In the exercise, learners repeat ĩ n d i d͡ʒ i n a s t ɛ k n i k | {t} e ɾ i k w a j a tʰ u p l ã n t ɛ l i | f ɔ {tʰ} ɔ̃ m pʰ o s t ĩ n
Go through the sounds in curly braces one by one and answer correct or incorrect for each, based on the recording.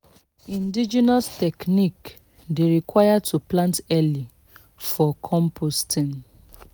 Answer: incorrect, incorrect

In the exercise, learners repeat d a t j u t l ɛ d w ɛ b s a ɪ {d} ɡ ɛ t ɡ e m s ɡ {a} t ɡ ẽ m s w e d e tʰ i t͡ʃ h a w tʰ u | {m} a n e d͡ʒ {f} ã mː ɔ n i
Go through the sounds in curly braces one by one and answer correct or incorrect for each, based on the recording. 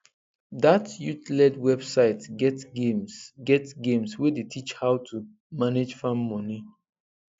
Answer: incorrect, incorrect, correct, correct

